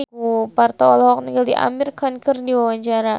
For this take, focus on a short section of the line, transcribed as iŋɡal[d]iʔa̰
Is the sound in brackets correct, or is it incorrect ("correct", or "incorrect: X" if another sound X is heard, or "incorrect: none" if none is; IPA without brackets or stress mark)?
correct